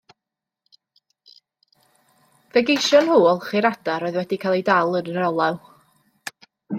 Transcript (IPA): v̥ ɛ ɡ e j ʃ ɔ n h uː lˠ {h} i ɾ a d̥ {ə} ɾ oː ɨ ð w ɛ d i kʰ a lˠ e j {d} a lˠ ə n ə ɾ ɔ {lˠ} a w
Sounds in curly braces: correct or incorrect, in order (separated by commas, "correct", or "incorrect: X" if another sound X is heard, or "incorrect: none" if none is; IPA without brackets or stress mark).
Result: incorrect: χ, incorrect: a, correct, correct